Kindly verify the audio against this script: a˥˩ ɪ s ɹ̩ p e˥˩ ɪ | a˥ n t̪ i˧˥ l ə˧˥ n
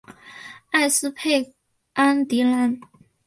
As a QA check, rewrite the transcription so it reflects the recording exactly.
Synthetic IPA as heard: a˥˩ ɪ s ɹ̩ pʰ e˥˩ ɪ | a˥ n t̪ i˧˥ l a˧˥ n